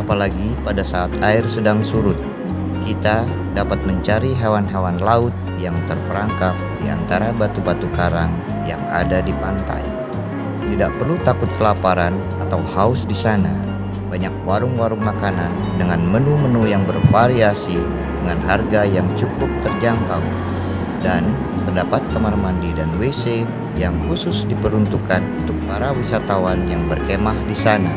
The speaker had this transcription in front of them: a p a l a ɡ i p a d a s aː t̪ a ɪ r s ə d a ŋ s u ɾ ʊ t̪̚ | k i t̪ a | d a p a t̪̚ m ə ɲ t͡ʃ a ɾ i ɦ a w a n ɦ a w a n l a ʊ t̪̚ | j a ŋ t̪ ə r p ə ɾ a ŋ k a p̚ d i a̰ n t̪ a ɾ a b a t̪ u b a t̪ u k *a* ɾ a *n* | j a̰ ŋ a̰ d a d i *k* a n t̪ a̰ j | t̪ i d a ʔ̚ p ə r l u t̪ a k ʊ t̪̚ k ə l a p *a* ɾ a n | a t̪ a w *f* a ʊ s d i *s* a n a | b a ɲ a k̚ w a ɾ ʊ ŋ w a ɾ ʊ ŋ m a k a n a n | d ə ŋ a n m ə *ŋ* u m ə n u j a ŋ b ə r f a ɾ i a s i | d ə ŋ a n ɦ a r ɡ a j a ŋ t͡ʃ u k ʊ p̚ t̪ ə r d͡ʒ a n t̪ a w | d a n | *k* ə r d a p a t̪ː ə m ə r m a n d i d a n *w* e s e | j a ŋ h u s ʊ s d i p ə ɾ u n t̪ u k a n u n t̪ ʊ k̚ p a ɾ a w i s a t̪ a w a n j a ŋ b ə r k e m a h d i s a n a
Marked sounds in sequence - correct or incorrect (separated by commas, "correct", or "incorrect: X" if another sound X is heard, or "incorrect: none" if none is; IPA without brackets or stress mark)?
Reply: correct, incorrect: ŋ, incorrect: p, correct, incorrect: h, correct, incorrect: n, incorrect: p, correct